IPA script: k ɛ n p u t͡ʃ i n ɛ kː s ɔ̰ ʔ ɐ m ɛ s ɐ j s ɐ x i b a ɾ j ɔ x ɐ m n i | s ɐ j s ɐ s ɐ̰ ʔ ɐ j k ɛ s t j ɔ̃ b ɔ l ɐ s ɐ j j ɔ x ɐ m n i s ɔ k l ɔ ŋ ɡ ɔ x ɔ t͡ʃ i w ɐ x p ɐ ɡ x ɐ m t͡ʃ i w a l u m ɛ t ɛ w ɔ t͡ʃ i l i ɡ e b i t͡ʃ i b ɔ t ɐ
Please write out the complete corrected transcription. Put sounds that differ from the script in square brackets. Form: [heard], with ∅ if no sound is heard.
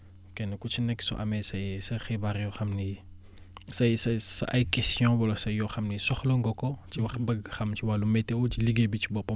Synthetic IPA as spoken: k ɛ n [k] u t͡ʃ i n ɛ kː s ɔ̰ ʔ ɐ m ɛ s ɐ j s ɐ x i b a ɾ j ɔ x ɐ m n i | s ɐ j s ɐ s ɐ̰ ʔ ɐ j k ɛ s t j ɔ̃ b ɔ l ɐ s ɐ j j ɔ x ɐ m n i s ɔ [x] l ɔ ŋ ɡ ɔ [k] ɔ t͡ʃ i w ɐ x [b] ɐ ɡ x ɐ m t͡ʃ i w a l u m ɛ t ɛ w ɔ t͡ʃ i l i ɡ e b i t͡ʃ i b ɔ [p] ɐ